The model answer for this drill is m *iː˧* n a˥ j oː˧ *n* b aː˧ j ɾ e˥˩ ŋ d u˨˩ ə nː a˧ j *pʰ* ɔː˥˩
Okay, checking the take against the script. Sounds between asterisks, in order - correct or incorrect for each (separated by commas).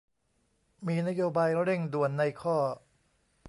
correct, incorrect, incorrect